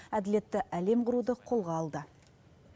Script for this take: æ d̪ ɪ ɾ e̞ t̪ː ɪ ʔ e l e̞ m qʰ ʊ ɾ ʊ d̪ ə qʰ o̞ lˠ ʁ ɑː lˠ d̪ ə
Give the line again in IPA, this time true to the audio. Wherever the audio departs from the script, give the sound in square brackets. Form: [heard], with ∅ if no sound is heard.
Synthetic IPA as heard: æ d̪ ɪ [l] e̞ t̪ː ɪ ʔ [æ] l e̞ m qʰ ʊ ɾ [u] d̪ ə qʰ o̞ lˠ ʁ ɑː lˠ d̪ ə